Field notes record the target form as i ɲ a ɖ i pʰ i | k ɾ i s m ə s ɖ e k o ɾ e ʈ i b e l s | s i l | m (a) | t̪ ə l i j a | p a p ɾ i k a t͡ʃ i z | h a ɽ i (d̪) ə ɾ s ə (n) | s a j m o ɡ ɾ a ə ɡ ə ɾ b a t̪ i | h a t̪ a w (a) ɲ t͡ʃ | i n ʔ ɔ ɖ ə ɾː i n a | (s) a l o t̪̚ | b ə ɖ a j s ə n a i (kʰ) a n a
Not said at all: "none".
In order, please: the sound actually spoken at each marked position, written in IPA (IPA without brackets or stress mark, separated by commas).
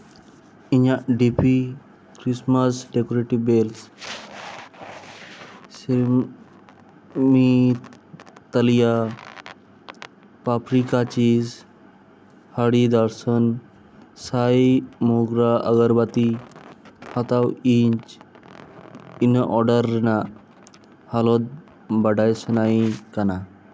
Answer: i, d̪, n, i, h, k